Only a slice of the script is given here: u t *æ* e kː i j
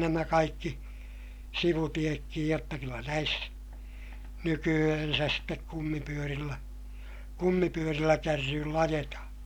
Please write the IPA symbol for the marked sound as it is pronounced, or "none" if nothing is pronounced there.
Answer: i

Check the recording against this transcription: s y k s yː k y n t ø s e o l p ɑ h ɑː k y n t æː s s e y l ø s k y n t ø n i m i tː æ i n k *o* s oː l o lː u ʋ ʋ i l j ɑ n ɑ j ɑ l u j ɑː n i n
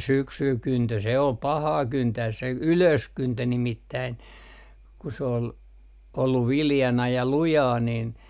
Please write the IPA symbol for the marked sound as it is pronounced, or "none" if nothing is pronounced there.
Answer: u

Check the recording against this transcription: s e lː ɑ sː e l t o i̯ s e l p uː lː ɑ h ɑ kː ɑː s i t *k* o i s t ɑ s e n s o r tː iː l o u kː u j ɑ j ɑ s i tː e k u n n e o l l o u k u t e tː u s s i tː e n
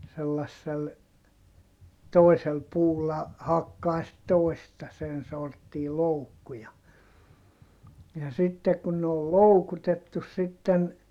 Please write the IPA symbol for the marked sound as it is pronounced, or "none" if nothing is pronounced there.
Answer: t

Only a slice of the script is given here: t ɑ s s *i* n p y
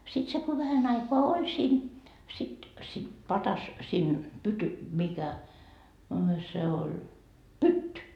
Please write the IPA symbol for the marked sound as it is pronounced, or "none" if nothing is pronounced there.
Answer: iː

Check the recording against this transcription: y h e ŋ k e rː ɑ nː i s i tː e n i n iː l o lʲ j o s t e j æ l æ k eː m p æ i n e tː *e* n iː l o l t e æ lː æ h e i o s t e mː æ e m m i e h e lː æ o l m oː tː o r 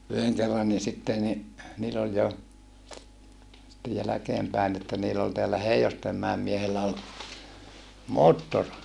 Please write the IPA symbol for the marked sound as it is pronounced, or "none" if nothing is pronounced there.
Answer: æ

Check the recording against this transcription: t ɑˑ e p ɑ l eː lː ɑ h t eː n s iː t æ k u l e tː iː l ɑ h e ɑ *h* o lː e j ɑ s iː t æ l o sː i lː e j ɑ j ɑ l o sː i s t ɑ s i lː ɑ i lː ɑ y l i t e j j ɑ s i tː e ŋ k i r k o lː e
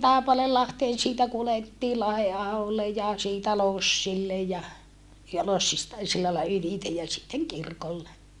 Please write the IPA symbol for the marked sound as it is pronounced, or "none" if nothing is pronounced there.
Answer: h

